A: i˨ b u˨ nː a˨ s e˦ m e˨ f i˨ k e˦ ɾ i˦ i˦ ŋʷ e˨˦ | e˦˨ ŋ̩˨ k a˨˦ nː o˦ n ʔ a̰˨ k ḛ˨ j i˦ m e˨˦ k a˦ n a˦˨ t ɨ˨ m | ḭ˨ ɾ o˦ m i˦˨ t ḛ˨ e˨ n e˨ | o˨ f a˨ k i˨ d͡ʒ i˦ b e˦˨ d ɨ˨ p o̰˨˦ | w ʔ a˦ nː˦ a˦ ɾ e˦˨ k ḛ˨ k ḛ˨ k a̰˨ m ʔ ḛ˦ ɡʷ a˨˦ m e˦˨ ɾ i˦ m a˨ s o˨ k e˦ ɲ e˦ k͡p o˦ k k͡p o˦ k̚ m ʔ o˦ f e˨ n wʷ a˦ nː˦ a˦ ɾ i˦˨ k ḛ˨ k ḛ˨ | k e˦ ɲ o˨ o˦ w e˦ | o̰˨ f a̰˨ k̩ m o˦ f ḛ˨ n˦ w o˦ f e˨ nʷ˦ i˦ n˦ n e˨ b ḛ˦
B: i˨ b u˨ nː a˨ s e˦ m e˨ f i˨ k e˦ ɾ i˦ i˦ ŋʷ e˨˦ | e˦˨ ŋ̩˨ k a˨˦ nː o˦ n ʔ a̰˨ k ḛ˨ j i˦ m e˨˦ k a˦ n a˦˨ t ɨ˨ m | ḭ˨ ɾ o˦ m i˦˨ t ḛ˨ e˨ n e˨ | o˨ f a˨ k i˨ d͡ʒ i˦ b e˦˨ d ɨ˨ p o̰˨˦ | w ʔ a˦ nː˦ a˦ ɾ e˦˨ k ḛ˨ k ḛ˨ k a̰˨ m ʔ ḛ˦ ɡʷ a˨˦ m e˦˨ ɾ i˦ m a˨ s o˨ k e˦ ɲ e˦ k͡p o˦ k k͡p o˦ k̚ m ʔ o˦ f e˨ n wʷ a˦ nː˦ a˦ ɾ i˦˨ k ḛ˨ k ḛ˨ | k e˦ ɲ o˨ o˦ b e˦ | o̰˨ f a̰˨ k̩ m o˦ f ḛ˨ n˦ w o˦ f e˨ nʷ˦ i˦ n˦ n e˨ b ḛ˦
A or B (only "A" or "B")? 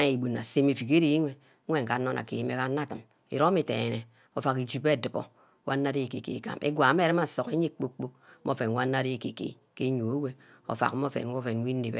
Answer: A